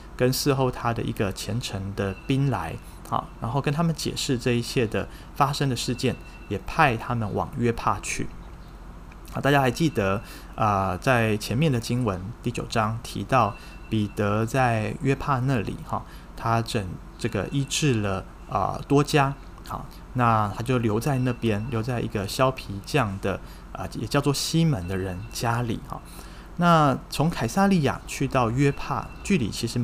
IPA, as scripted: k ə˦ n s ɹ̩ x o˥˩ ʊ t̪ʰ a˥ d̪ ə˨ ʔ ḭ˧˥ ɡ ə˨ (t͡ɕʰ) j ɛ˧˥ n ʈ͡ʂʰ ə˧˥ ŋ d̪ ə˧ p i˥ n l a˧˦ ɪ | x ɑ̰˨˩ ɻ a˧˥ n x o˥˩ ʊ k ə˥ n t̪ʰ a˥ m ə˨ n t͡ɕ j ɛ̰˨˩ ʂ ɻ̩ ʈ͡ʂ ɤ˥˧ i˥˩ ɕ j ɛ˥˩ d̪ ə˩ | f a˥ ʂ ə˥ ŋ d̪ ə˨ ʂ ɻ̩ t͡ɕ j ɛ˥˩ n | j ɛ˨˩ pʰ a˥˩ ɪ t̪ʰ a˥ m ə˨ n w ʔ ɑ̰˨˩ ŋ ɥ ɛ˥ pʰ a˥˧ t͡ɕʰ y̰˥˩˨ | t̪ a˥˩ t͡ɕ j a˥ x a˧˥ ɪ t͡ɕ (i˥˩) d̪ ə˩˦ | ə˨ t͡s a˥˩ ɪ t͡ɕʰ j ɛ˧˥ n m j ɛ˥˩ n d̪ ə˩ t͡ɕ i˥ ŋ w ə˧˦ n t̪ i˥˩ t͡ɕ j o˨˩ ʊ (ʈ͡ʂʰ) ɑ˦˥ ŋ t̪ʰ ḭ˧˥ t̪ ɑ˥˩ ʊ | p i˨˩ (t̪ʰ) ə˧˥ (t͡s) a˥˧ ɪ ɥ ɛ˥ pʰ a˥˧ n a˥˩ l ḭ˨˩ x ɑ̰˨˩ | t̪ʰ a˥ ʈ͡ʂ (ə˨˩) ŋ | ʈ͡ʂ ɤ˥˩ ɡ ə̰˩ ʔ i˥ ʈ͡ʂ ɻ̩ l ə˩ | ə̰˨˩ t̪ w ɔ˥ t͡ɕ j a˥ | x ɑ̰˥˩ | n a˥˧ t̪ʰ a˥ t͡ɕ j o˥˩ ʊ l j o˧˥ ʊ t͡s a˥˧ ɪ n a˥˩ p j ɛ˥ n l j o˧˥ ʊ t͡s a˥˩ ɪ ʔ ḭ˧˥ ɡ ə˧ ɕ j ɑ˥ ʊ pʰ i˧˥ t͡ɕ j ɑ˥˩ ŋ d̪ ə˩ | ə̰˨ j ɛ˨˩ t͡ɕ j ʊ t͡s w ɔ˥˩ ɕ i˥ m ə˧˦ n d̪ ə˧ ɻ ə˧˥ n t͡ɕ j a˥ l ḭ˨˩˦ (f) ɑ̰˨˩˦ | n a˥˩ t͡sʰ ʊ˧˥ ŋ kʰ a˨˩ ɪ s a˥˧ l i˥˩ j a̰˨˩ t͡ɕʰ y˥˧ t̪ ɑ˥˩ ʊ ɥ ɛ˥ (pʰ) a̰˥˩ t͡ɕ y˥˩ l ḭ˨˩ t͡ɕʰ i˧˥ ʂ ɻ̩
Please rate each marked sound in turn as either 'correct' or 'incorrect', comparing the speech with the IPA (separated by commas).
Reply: correct, correct, incorrect, incorrect, correct, correct, incorrect, correct